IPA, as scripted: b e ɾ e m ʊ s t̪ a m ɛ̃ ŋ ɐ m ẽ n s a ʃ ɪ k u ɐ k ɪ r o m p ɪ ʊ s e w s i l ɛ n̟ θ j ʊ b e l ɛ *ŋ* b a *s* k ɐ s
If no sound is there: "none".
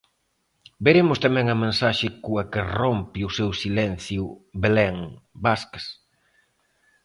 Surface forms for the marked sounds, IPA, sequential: ŋ, s

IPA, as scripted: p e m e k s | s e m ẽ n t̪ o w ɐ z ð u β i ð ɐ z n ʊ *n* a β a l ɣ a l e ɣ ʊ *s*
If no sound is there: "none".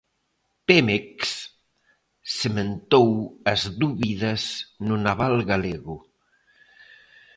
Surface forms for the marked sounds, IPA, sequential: n, none

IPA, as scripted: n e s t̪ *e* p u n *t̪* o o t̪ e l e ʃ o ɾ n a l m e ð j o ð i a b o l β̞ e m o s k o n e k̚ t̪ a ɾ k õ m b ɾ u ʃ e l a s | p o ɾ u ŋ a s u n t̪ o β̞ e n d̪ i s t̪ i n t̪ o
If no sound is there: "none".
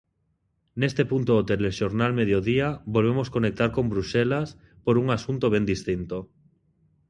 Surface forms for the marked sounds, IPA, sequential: e, t̪

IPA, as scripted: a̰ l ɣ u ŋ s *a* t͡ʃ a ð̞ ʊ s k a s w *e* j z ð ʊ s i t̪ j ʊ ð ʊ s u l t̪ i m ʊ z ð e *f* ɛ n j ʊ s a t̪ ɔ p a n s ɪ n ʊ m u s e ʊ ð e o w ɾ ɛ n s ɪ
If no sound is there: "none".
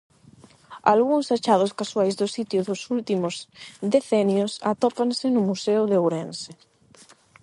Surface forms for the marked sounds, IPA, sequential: a, a, θ

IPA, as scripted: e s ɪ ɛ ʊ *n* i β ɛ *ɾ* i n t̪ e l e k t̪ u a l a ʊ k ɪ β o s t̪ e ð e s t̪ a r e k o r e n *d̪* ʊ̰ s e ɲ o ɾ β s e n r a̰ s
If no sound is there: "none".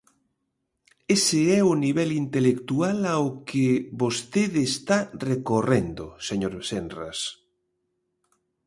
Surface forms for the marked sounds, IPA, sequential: n, l, d̪

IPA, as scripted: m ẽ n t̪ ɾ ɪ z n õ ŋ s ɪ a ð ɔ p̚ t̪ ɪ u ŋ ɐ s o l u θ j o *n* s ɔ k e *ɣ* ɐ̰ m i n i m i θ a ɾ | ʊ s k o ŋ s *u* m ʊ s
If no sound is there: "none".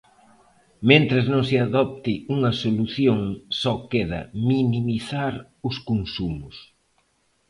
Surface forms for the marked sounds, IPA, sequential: ŋ, ð, u

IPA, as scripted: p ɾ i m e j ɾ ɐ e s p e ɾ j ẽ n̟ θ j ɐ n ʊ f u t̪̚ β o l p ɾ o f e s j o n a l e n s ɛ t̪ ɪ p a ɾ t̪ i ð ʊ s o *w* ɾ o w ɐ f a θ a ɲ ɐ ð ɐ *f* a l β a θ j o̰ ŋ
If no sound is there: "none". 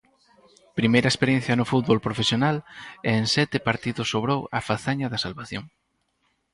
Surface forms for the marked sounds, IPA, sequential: β, s

